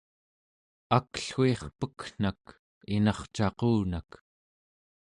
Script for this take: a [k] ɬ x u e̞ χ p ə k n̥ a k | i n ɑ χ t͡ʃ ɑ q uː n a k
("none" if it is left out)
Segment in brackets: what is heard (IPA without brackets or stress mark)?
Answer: k